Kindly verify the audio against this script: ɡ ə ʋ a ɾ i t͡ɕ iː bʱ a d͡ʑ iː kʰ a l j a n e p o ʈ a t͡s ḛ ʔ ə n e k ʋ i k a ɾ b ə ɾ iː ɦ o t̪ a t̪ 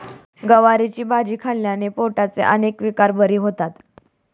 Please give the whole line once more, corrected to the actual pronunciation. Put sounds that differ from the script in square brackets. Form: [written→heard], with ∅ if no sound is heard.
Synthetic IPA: ɡ ə ʋ a ɾ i t͡ɕ iː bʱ a d͡ʑ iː kʰ a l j a n e p o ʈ a t͡s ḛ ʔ ə n e k ʋ i k a ɾ b ə ɾ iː ɦ o t̪ a t̪